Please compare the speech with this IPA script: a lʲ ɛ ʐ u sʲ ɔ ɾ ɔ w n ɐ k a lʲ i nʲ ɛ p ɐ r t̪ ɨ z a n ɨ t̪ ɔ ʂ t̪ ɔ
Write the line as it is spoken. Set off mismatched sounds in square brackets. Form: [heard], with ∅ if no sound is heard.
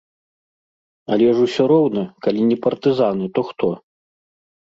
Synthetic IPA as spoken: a lʲ ɛ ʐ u sʲ ɔ ɾ ɔ w n ɐ k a lʲ i nʲ ɛ p ɐ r t̪ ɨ z a n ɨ t̪ ɔ [x] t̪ ɔ